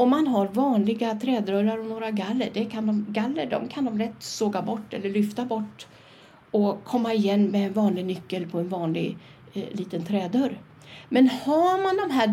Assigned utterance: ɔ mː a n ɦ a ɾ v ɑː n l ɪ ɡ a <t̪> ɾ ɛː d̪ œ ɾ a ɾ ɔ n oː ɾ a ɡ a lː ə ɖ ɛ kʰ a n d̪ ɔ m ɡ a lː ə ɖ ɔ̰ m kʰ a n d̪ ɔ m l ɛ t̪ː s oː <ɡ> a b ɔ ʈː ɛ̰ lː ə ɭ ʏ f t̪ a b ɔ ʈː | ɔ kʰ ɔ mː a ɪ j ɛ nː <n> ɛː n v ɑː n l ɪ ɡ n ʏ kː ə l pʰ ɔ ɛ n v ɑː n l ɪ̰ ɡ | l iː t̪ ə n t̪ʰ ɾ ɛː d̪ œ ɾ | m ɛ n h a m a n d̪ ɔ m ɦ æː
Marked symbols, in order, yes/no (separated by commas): no, yes, no